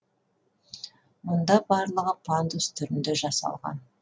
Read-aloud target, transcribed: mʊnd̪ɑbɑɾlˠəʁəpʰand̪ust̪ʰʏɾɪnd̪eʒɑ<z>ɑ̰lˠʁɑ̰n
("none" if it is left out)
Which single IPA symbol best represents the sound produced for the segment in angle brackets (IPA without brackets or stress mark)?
s